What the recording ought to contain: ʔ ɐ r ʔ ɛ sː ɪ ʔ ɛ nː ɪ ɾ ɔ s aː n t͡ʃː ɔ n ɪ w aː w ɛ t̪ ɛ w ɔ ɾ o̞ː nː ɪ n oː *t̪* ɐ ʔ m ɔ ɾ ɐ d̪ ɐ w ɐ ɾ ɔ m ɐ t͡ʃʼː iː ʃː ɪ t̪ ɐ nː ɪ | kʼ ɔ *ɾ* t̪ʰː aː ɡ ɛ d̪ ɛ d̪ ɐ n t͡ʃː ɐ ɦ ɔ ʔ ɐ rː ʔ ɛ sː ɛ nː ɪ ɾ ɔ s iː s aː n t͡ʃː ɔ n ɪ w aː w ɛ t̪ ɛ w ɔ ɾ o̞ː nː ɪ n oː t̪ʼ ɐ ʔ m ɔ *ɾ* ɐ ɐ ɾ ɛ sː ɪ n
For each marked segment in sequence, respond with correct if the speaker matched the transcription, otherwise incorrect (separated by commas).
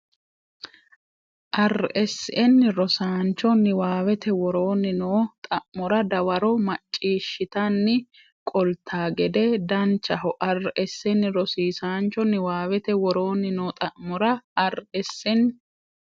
incorrect, incorrect, correct